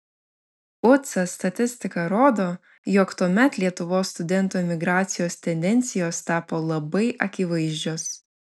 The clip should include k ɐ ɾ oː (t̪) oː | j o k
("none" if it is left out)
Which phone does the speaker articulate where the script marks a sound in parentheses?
d̪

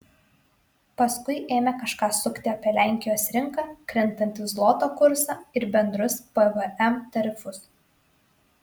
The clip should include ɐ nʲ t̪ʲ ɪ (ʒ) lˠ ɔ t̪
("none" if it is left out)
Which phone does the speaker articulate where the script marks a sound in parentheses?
z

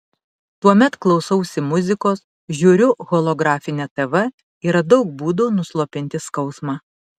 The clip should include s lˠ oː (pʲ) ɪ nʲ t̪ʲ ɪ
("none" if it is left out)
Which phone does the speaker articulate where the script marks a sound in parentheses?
pʲ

